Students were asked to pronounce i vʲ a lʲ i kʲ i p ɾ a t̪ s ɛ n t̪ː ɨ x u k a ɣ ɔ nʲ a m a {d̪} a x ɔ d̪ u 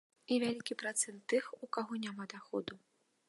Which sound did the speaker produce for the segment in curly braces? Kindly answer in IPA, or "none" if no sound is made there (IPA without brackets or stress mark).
d̪